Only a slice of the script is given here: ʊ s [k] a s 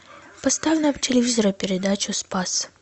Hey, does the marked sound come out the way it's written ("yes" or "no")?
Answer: no